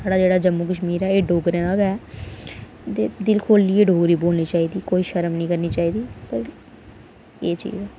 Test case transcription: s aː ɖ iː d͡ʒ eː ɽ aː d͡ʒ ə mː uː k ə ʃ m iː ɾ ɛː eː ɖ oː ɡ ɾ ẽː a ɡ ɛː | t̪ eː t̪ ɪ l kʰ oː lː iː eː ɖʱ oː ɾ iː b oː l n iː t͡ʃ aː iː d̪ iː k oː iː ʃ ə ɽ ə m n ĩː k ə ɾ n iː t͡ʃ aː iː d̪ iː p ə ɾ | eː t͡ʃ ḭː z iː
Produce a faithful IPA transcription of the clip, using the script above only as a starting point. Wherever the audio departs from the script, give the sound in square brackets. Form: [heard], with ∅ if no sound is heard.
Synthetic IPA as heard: s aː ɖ [aː] d͡ʒ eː ɽ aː d͡ʒ ə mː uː k ə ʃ m iː ɾ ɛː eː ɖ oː ɡ ɾ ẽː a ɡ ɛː | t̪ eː [d̪] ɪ l kʰ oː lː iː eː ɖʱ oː ɾ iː b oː l n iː t͡ʃ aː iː d̪ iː k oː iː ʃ ə [ɾ] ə m n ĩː k ə ɾ n iː t͡ʃ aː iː d̪ iː p ə ɾ | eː t͡ʃ ḭː z [ɛː]

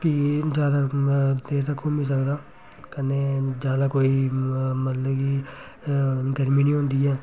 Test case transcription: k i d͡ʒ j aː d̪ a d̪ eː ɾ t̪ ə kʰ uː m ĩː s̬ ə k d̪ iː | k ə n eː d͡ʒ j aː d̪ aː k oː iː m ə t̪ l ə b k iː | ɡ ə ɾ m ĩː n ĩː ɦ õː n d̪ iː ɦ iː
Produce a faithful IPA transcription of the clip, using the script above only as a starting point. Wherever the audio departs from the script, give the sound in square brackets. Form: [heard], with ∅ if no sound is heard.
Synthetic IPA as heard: k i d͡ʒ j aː d̪ a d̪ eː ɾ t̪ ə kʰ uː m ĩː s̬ ə k d̪ [aː] | k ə n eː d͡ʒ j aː d̪ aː k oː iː m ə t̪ l ə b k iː | ɡ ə ɾ m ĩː n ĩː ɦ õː n d̪ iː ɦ [ɛː]

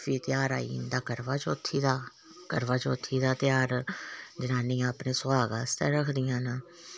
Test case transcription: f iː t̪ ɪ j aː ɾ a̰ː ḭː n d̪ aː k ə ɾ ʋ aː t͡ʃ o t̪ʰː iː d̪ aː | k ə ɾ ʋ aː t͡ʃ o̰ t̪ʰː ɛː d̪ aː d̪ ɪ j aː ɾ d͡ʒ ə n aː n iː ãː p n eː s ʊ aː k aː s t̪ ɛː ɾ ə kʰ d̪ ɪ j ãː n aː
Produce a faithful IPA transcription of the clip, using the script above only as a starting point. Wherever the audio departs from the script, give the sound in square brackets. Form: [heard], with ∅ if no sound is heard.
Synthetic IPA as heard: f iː t̪ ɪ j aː ɾ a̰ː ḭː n d̪ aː k ə ɾ ʋ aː t͡ʃ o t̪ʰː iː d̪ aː | k ə ɾ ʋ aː t͡ʃ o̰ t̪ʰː [iː] d̪ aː [t̪] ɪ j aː ɾ d͡ʒ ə n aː n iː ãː p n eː s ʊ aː [ɡ] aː s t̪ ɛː ɾ ə kʰ d̪ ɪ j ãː n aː

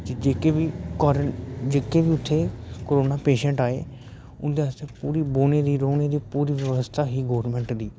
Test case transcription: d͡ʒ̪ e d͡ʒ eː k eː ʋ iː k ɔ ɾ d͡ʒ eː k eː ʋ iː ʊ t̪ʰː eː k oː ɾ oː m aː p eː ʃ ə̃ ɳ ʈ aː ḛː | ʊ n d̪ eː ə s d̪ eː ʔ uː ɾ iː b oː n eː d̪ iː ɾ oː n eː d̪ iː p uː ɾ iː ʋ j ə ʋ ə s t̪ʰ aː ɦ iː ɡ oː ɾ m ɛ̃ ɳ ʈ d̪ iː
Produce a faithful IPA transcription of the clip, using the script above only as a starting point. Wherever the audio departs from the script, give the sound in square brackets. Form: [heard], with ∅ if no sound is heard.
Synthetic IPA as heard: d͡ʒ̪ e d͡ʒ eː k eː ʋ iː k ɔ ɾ d͡ʒ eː k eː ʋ iː ʊ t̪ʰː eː k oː ɾ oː [n] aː p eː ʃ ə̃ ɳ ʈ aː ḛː | ʊ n d̪ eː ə s [t̪] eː [p] uː ɾ iː b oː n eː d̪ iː ɾ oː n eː d̪ iː p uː ɾ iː ʋ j ə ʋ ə s t̪ʰ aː ɦ iː ɡ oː ɾ m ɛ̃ ɳ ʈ d̪ iː

